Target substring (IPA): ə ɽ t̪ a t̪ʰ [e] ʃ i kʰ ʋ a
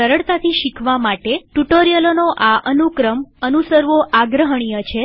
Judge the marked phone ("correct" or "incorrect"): incorrect